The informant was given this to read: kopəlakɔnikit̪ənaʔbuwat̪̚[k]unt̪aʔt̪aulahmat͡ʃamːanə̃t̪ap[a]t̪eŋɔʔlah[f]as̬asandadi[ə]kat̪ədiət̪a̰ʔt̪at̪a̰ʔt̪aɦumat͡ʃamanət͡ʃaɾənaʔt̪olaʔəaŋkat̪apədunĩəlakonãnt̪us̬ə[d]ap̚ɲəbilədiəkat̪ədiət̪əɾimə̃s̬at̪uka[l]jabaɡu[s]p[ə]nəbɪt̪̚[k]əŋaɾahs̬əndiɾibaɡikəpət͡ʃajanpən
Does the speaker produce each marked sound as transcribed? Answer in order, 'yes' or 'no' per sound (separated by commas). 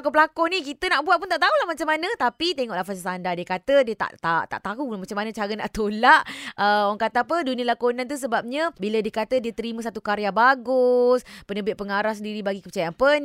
no, no, yes, yes, no, no, yes, yes, no